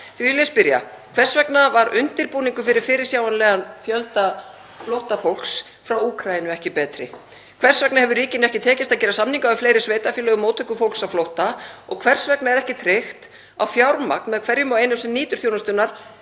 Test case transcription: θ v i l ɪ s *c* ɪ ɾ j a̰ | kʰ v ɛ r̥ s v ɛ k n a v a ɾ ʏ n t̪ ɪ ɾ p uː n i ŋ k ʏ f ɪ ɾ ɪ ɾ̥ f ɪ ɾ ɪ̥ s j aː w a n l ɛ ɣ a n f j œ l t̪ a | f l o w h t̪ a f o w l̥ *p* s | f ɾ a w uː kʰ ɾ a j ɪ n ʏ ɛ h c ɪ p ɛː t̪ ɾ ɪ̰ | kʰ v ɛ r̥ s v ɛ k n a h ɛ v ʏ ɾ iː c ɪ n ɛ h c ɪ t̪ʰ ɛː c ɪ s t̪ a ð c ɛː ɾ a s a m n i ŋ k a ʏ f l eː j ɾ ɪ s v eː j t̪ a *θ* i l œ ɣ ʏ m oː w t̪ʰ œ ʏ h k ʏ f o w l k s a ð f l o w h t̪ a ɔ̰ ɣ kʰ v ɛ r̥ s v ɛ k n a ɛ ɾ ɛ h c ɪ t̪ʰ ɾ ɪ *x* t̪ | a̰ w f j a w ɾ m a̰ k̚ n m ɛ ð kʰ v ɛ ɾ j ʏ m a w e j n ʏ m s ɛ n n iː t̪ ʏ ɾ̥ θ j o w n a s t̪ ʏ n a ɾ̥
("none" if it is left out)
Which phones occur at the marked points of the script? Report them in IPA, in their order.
p, k, f, x

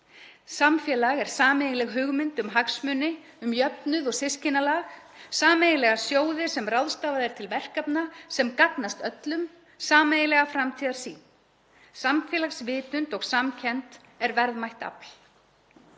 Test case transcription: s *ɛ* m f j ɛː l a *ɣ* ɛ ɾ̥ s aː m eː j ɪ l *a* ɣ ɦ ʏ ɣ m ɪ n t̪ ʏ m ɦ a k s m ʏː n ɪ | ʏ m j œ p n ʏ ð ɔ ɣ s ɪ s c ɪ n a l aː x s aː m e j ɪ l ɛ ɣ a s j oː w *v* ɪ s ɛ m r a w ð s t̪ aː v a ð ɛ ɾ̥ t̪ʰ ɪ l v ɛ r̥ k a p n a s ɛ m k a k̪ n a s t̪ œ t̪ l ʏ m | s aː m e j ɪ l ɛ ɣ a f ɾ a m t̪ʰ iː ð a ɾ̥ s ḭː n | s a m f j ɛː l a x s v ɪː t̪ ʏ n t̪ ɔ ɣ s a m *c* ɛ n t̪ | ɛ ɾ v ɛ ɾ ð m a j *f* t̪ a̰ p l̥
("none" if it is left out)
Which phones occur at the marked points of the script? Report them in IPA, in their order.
a, ɣ, ɛ, ð, cʰ, h

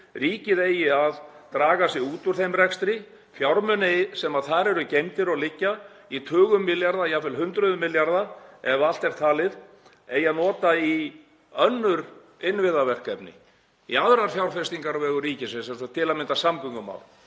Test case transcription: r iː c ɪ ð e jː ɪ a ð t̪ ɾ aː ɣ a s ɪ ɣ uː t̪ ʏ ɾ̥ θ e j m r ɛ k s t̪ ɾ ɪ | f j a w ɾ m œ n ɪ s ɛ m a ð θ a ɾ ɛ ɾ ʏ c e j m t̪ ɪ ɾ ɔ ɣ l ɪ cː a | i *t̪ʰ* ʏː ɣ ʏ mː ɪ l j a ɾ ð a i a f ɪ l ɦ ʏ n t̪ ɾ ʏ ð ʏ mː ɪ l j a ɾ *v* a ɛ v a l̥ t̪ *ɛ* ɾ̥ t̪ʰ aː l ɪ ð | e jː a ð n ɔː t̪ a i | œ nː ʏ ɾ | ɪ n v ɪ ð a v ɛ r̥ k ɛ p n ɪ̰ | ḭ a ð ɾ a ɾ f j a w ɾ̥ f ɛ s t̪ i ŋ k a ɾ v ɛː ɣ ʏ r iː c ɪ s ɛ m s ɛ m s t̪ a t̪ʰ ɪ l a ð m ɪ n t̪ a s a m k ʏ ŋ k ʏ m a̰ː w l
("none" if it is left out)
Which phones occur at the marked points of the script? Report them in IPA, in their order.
t̪ʰ, ð, ɛ

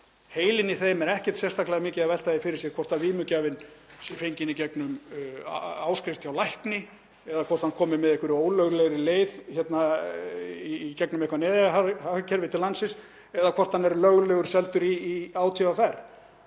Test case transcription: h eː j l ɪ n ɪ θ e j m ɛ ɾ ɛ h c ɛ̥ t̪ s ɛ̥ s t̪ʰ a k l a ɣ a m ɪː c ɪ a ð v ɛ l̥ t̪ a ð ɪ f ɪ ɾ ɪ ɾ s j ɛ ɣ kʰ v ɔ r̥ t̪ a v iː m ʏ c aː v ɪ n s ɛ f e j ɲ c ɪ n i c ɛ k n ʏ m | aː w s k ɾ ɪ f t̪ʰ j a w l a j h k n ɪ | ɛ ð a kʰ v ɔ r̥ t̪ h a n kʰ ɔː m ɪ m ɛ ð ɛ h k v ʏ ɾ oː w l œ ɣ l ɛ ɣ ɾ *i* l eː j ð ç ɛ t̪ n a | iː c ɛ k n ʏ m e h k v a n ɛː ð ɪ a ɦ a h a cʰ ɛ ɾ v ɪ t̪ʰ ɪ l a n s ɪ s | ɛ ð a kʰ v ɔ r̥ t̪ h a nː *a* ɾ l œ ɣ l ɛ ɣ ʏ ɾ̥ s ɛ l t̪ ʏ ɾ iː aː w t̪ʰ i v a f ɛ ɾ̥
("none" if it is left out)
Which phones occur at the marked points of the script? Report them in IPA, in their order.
ɪ, ɛ

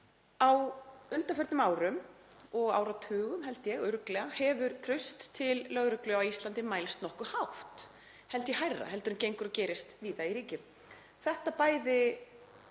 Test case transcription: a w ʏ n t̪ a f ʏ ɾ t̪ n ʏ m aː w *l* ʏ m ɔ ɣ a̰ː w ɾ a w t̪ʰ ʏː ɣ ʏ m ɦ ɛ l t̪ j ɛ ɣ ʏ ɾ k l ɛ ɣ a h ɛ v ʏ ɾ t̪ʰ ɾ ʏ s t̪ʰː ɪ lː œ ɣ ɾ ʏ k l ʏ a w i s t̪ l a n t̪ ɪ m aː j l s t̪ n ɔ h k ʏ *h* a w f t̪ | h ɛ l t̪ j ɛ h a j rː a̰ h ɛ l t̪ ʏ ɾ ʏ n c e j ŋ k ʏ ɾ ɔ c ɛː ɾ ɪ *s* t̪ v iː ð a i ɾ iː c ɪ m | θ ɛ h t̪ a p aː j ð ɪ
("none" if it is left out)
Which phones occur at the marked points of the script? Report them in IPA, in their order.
ɾ, h, s

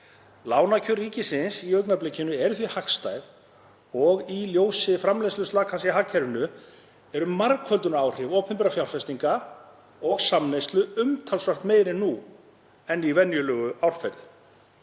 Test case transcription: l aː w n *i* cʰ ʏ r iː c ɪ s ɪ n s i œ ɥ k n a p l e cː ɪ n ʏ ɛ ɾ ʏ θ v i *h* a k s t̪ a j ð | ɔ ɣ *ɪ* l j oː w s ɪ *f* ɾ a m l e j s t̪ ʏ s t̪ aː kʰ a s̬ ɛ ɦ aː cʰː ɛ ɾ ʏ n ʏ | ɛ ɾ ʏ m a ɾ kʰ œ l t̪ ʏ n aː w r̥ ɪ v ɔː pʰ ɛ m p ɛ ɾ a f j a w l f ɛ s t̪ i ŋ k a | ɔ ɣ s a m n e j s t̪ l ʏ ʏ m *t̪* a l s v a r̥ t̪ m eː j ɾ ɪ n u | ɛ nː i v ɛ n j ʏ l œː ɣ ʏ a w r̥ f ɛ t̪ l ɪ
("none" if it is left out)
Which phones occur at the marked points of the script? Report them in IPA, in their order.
a, h, i, f, t̪ʰ

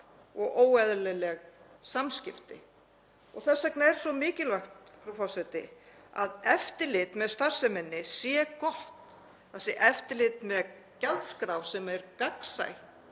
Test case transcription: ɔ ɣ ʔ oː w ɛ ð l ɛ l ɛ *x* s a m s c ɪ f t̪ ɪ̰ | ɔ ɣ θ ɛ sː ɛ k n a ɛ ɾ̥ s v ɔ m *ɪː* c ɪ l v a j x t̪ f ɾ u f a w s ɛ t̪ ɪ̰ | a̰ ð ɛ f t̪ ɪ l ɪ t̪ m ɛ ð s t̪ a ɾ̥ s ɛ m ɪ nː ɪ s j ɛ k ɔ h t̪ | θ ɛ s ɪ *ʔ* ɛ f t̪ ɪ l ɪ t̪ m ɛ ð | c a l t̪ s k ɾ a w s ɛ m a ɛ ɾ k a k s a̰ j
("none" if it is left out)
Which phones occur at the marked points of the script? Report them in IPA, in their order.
ɣ, ɪː, ʔ

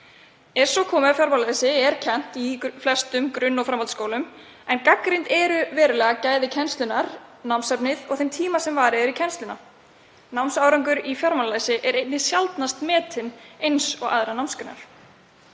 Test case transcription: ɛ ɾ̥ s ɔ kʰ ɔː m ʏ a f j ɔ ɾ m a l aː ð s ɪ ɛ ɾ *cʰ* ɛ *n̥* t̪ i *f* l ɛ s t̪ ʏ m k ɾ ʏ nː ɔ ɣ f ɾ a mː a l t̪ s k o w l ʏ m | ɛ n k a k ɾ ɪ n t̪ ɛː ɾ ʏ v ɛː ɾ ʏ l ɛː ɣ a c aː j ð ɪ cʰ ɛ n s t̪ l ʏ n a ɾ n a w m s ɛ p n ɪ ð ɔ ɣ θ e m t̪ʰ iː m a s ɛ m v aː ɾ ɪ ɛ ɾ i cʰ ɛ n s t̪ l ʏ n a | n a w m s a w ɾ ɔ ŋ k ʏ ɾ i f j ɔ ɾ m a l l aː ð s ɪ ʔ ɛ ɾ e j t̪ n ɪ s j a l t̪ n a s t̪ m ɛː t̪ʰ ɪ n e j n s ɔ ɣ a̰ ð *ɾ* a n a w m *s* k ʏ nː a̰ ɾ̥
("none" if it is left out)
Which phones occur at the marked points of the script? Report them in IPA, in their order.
cʰ, n̥, f, ɾ, s

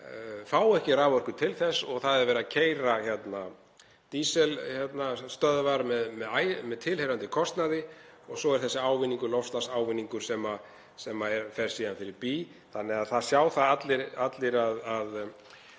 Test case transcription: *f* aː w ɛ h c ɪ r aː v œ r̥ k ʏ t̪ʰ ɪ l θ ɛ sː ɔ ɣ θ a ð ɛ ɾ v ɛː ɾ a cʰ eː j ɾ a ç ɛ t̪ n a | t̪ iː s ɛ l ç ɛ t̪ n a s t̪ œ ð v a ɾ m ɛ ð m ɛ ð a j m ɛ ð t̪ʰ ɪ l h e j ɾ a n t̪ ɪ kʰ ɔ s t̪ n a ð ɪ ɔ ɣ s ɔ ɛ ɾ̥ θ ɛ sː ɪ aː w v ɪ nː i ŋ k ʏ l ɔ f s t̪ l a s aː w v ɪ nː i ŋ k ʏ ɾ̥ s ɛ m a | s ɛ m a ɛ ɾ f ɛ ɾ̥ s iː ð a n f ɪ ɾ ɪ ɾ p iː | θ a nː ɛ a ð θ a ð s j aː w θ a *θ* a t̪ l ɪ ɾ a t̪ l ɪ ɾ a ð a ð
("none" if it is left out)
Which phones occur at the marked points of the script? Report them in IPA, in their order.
f, ð

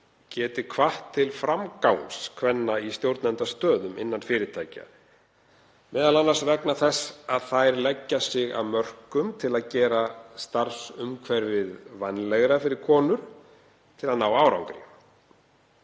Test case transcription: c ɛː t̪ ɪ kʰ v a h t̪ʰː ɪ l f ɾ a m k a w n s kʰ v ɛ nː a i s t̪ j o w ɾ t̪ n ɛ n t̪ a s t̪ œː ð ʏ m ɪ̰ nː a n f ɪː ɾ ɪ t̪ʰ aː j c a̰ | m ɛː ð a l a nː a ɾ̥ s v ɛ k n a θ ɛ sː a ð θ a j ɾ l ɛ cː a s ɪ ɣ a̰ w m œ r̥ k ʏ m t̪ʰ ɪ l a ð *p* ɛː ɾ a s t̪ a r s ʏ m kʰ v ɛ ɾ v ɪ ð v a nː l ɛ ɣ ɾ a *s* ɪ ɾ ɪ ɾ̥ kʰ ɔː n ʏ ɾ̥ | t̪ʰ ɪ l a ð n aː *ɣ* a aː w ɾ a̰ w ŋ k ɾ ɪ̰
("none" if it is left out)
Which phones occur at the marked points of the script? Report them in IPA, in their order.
c, f, w

